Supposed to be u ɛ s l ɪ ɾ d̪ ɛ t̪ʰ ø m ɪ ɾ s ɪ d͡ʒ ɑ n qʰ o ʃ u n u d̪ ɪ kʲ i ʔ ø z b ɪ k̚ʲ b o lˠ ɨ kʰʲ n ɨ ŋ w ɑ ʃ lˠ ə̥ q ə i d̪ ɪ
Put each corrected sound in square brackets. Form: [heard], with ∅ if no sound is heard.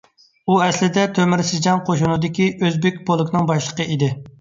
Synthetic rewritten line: u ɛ s l ɪ [∅] d̪ ɛ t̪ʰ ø m ɪ ɾ s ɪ d͡ʒ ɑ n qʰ o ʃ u n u d̪ ɪ kʲ i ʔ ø z b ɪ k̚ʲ b o lˠ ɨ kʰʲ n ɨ ŋ [b] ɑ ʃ lˠ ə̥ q ə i d̪ ɪ